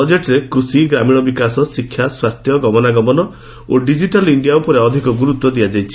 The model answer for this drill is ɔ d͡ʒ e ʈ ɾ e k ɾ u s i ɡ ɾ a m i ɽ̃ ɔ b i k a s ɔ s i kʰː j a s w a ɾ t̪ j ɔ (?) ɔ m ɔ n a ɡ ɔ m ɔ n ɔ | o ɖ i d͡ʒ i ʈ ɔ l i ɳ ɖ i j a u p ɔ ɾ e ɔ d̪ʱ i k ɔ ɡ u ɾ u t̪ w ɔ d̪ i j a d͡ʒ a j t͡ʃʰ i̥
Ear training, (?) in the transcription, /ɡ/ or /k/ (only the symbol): ɡ